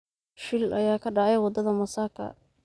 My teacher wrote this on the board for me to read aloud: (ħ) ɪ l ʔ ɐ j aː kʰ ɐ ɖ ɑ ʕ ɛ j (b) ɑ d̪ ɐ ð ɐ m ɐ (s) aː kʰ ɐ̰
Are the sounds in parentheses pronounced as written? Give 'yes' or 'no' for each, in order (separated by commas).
no, no, yes